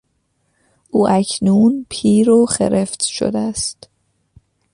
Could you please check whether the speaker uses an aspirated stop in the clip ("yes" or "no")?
yes